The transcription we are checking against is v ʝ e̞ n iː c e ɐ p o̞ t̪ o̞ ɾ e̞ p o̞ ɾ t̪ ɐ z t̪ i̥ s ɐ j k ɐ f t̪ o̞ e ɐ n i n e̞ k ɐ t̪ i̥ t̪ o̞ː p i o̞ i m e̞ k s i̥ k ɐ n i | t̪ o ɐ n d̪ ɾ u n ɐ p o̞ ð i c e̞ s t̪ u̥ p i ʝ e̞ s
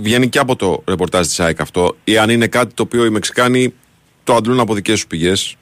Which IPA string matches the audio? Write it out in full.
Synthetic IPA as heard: v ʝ e̞ n i c e ɐ p o̞ t̪ o̞ ɾ e̞ p o̞ ɾ t̪ ɐ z t̪ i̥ s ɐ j k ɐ f t̪ o̞ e ɐ n i n e̞ k ɐ t̪ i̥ t̪ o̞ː p i o̞ i m e̞ k s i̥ k ɐ n i | t̪ o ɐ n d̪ l u n ɐ p o̞ ð i c e̞ s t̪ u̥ p i ʝ e̞ s